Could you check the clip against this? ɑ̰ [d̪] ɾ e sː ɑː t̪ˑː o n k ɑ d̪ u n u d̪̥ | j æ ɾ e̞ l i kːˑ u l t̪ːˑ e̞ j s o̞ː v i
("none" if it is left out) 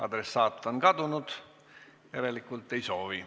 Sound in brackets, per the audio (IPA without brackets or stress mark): d̪